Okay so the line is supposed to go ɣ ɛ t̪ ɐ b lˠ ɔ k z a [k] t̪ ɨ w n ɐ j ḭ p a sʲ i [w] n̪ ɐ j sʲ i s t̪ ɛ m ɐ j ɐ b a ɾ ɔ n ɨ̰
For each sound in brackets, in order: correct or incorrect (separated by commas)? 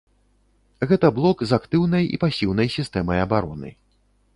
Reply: correct, correct